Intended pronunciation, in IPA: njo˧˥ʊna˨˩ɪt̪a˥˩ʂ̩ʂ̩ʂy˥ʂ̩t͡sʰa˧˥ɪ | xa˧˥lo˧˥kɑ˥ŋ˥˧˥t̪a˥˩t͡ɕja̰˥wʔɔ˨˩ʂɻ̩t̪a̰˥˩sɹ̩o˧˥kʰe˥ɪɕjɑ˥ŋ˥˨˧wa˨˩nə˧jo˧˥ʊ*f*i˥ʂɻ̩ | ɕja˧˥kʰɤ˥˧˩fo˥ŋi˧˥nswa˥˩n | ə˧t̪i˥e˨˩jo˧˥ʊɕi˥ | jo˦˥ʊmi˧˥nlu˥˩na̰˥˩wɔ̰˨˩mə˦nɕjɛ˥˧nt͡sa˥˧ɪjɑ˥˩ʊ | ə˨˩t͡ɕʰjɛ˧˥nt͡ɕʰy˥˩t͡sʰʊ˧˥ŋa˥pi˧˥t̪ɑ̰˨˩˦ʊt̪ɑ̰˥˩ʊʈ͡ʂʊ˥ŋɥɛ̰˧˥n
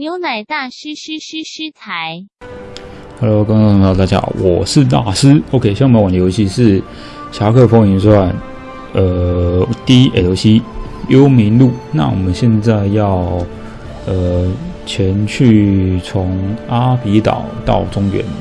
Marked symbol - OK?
no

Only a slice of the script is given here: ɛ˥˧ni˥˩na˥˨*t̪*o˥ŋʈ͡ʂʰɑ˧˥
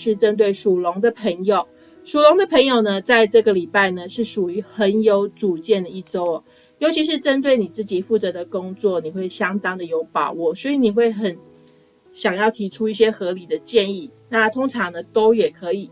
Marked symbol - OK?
no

